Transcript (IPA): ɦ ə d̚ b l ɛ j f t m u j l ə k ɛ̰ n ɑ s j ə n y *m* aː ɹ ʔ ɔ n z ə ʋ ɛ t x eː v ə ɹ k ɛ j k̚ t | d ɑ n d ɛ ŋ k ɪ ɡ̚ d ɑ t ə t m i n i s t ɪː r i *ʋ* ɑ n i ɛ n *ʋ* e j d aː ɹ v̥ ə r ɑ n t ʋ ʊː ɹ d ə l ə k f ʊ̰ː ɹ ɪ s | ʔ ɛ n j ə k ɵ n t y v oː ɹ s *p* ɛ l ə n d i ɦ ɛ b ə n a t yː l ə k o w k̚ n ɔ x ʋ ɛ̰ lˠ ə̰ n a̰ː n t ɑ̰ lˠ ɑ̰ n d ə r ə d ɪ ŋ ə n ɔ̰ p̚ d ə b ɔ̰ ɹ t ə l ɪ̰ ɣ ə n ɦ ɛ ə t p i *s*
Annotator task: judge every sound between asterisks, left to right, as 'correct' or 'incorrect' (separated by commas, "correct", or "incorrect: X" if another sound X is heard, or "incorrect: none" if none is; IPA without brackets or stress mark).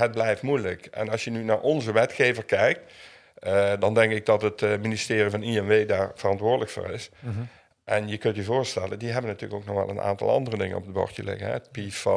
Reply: incorrect: n, incorrect: v, correct, incorrect: t, incorrect: f